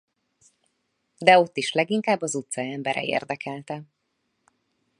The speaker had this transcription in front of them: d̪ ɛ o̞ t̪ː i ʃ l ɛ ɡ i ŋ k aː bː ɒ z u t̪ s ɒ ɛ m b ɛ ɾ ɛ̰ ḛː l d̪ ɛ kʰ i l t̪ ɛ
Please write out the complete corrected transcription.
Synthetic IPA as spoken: d̪ ɛ o̞ t̪ː i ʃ l ɛ ɡ i ŋ k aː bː ɒ z u t̪ s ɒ ɛ m b ɛ ɾ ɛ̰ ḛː r d̪ ɛ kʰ ɛ l t̪ ɛ